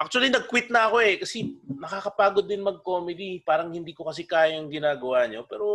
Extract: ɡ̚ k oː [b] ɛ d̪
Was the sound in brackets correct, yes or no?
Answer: no